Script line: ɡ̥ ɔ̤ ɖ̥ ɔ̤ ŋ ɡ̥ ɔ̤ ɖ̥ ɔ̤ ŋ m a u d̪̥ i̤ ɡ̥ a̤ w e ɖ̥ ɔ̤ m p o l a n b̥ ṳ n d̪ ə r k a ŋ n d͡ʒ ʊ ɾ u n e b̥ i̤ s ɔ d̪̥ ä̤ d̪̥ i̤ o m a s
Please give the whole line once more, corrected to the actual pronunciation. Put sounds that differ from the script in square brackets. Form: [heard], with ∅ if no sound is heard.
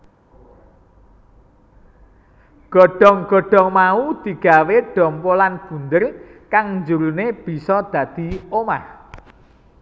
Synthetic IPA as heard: ɡ̥ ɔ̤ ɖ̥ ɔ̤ ŋ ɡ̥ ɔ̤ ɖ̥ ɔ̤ ŋ m a u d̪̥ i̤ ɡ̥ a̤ w e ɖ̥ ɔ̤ m p o l a n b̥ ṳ n d̪ ə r k a ŋ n d͡ʒ [u] ɾ u n e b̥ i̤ s ɔ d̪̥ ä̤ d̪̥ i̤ o m a [h]

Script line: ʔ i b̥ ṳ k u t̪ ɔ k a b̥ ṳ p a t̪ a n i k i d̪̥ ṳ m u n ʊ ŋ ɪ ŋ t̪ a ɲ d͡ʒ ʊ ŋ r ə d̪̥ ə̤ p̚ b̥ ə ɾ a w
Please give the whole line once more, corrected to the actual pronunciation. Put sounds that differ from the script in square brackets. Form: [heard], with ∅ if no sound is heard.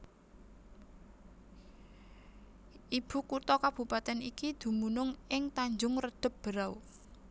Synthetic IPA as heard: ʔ i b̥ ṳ k u t̪ ɔ k a b̥ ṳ p a t̪ [ɛ] n i k i d̪̥ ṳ m u n ʊ ŋ ɪ ŋ t̪ a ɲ d͡ʒ ʊ ŋ r ə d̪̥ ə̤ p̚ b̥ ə ɾ a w

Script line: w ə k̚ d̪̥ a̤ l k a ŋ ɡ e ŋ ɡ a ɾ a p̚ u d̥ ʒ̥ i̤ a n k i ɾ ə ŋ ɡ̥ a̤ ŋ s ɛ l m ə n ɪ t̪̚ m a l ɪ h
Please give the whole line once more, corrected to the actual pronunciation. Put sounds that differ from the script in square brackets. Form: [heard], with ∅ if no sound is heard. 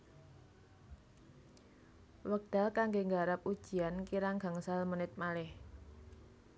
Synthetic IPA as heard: w ə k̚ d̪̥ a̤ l k a ŋ ɡ e ŋ ɡ a ɾ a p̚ u d̥ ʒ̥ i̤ a n k i ɾ [a] ŋ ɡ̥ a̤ ŋ s [a] l m ə n ɪ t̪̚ m a l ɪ h

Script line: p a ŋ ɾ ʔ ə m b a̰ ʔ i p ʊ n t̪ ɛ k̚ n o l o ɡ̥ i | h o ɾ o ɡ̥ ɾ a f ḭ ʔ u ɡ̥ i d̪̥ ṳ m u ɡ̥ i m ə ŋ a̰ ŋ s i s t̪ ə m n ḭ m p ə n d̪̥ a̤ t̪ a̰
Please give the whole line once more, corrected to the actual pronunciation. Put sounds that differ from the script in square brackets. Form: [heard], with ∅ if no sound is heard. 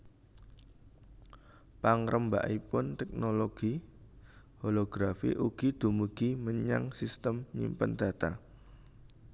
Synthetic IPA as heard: p a ŋ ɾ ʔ ə m b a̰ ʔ i p ʊ n t̪ ɛ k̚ n o l o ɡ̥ i | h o [l] o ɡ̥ ɾ a f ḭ ʔ u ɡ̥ i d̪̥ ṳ m u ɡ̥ i m ə [ɲ] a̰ ŋ s i s t̪ ə m [ɲ] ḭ m p ə n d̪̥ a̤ t̪ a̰

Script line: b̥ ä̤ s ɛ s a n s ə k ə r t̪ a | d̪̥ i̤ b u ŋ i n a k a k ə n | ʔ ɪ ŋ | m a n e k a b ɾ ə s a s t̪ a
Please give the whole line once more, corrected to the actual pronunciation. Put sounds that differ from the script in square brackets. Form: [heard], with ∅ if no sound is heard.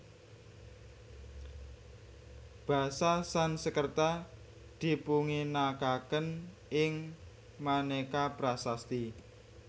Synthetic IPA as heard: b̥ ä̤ s [a] s a n s ə k ə r t̪ a | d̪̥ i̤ [p] u ŋ i n a k a k ə n | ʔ ɪ ŋ | m a n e k a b ɾ [a] s a s t̪ [i]

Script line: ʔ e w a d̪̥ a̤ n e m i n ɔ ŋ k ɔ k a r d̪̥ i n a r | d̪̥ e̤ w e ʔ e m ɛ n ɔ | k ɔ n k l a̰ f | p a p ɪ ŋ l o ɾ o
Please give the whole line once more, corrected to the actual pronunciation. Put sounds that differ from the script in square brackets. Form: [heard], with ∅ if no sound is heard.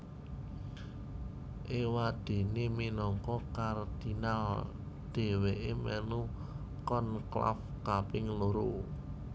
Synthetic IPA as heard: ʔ e w a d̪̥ [e̤] n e m i n ɔ ŋ k ɔ k a r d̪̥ i n a [l] | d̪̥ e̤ w e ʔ e m ɛ n [u] | k ɔ n k l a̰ f | [k] a p ɪ ŋ l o ɾ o

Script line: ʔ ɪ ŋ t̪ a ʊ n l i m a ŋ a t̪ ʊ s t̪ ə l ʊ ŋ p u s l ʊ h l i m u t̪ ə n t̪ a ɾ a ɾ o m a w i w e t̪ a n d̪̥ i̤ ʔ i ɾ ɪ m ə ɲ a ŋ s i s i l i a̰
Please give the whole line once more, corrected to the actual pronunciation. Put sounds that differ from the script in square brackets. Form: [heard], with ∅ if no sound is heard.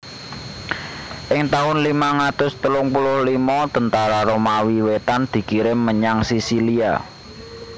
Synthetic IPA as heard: ʔ ɪ ŋ t̪ a ʊ n l i m a ŋ a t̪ ʊ s t̪ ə l ʊ ŋ p u [∅] l ʊ h l i m [ɔ] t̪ ə n t̪ a ɾ a ɾ o m a w i w e t̪ a n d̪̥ i̤ [k] i ɾ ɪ m ə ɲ a ŋ s i s i l i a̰

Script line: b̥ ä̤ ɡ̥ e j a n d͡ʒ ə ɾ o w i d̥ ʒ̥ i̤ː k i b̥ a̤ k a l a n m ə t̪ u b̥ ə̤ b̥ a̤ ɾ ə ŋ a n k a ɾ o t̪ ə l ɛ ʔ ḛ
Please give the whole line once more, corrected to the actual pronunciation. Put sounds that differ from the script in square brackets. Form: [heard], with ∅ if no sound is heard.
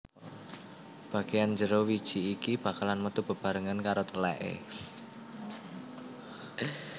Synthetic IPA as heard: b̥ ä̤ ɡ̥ e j a n d͡ʒ ə ɾ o w i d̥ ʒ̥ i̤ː k i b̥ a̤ k a l a n m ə t̪ u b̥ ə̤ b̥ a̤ ɾ ə ŋ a n k a ɾ o t̪ ə l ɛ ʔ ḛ

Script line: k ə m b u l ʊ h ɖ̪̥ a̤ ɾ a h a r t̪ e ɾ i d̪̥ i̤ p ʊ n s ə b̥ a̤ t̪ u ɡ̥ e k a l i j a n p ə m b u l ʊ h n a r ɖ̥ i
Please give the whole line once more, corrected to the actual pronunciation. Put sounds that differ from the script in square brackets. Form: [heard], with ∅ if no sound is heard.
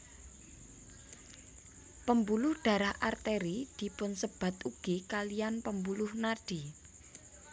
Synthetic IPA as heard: [p] ə m b u l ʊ h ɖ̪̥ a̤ ɾ a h a r t̪ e ɾ i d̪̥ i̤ p ʊ n s ə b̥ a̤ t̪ u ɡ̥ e k a l i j a n p ə m b u l ʊ h n a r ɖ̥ i

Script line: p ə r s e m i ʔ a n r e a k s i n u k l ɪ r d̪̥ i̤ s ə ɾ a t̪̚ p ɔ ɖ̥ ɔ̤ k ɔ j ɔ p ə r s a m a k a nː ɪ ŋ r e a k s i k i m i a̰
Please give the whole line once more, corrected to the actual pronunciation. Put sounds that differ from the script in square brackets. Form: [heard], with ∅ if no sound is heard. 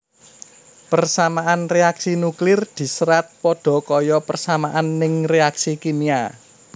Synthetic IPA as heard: p ə r s [a] m [a] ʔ a n r e a k s i n u k l ɪ r d̪̥ i̤ s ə ɾ a t̪̚ p ɔ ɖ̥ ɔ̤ k ɔ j ɔ p ə r s a m a [ʔ] a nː ɪ ŋ r e a k s i k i [n] i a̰

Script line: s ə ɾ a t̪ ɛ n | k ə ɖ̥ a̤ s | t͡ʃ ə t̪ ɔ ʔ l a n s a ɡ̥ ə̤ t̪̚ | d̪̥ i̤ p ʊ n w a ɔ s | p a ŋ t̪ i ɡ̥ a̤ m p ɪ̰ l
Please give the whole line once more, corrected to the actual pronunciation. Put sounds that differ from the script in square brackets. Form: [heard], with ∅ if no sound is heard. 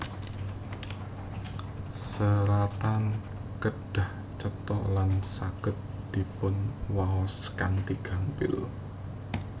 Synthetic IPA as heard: s ə ɾ a t̪ [a] n | k ə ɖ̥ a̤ [h] | t͡ʃ ə t̪ ɔ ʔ l a n s a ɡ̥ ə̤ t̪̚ | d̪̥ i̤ p ʊ n w a ɔ s | [k] a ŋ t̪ i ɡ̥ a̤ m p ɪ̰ l

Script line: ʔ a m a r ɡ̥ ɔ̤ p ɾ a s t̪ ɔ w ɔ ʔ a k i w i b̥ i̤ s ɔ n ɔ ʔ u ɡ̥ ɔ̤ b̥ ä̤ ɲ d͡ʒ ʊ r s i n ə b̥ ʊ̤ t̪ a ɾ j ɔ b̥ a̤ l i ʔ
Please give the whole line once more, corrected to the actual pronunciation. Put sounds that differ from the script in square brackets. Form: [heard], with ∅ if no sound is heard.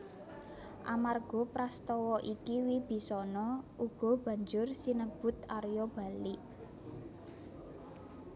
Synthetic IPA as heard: ʔ a m a r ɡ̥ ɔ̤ p ɾ a s t̪ ɔ w ɔ ʔ [i] k i w i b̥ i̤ s ɔ n ɔ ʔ u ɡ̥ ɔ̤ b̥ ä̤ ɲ d͡ʒ ʊ r s i n ə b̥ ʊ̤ t̪ a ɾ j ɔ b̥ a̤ l i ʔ

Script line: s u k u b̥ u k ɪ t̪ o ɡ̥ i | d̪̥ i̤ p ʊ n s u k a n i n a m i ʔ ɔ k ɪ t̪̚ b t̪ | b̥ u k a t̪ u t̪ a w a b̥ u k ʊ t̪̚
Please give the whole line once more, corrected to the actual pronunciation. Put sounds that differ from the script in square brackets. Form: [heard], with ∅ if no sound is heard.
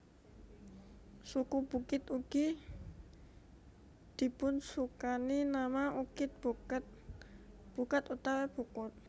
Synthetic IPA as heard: s u k u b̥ u k ɪ t̪ [u] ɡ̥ i | d̪̥ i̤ p ʊ n s u k a n i n a m [a] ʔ [u] k ɪ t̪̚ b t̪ | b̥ u k a t̪ u t̪ a w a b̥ u k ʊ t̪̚

